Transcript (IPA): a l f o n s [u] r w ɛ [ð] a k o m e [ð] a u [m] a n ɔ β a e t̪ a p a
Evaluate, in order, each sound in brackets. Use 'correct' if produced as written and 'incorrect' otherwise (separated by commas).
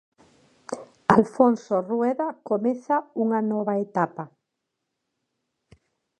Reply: incorrect, correct, incorrect, incorrect